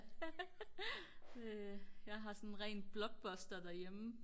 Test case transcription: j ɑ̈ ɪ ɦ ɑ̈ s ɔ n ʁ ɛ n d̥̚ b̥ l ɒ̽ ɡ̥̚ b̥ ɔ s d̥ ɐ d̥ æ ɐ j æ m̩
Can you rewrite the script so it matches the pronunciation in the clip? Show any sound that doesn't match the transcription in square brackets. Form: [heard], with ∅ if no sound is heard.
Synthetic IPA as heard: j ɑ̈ ɪ ɦ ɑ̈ s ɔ n ʁ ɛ n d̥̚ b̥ l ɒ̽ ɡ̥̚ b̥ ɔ s d̥ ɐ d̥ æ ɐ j [e] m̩